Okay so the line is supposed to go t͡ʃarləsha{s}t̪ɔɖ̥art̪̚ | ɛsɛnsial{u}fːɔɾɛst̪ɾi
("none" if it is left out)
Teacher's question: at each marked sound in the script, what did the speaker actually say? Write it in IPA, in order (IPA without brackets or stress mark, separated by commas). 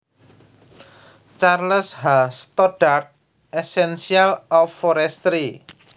s, ɔ